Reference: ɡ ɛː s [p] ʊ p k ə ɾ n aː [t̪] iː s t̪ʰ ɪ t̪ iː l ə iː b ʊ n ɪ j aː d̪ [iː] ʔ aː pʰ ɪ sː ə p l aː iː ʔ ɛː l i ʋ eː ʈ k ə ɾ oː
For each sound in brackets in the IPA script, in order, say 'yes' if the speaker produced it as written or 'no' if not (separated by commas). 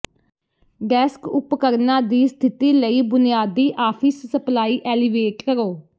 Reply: no, no, yes